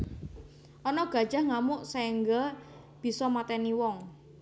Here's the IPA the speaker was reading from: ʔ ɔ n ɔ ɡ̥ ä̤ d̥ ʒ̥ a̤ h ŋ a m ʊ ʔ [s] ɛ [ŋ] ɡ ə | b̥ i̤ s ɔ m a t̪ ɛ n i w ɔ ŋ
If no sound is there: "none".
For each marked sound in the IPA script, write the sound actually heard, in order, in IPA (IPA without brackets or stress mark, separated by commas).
s, ŋ